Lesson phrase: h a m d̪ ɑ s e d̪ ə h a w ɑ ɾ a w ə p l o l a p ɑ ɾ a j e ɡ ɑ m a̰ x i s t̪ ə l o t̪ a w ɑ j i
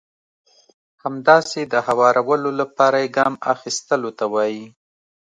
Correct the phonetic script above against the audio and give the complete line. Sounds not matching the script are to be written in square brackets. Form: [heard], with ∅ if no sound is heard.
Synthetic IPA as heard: h a m d̪ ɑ s e d̪ ə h a w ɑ ɾ a w ə [∅] l o l a p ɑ ɾ a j e ɡ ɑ m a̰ x i s t̪ ə l o t̪ a w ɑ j i